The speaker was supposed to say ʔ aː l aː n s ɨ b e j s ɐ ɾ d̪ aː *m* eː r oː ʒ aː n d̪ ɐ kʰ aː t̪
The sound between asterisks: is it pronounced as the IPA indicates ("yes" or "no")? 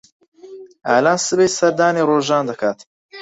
no